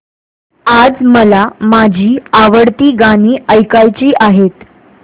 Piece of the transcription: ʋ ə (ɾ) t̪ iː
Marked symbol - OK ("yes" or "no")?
no